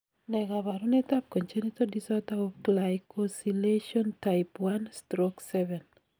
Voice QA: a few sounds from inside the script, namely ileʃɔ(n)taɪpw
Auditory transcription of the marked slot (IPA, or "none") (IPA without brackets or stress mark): n